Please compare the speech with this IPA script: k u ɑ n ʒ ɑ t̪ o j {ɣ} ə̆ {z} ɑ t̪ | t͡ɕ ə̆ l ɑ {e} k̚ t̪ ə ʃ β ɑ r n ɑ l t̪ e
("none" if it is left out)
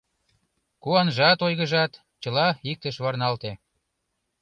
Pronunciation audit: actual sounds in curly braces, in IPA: ɣ, ʒ, i

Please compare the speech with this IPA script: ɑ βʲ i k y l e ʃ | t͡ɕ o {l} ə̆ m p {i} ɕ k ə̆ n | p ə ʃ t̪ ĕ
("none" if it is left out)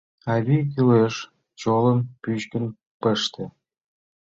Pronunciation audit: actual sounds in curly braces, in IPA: l, y

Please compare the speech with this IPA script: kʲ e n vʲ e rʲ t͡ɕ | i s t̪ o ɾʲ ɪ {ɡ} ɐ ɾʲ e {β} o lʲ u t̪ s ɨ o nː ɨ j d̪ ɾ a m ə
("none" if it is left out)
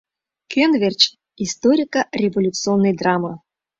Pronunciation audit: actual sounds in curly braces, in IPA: k, v

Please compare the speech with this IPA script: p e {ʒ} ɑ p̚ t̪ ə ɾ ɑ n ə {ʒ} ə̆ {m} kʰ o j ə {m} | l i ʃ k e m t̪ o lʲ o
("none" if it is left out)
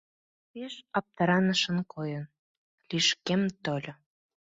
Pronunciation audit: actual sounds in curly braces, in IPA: ʃ, ʃ, n, n

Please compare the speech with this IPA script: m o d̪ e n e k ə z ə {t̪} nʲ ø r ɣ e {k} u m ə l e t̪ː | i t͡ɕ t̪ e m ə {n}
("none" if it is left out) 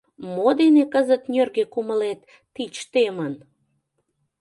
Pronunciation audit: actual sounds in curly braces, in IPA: t̪, k, n

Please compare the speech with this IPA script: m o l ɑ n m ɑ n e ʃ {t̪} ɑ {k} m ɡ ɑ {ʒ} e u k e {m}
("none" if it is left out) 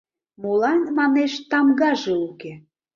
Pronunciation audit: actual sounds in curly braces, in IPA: t̪, none, ʒ, none

